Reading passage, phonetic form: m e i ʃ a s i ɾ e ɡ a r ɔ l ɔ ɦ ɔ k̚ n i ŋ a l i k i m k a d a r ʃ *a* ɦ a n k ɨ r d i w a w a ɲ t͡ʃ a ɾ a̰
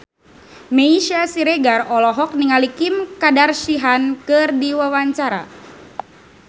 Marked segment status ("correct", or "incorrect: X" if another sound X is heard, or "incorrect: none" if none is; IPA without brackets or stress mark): incorrect: i